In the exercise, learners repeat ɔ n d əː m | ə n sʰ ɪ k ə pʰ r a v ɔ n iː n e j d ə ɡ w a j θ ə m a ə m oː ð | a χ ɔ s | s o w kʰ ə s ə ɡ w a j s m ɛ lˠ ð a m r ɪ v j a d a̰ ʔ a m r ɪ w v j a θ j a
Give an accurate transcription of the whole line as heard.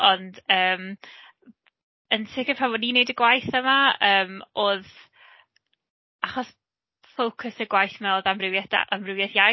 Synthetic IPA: ɔ n d əː m | ə n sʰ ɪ k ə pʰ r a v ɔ n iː n e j d ə ɡ w a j θ ə m a əː m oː ð | a χ ɔ s | f o w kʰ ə s ə ɡ w a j θ m ɛ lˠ ð a m r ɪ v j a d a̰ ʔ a m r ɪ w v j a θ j a